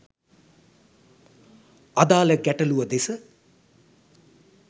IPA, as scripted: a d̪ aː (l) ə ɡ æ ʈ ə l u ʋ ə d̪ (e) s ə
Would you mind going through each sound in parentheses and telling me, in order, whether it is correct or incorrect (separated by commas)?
correct, correct